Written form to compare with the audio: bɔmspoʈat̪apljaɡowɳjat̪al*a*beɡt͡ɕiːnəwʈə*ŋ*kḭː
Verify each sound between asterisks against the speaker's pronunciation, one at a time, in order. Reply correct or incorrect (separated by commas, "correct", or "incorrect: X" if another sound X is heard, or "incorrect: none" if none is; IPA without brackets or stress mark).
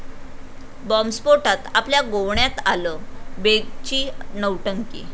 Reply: incorrect: ə, correct